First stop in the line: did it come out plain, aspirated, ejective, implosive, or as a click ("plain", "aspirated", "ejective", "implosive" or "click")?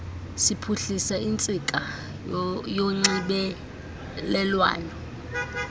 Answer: aspirated